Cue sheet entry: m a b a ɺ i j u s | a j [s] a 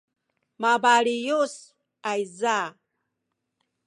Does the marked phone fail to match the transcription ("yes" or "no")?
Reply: yes